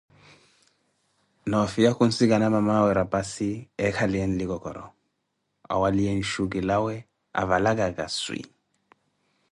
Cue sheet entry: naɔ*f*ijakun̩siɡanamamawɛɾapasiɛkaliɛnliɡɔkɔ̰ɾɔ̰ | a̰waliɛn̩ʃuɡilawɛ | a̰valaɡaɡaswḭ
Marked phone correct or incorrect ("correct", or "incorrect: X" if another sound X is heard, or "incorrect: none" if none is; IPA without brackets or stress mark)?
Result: correct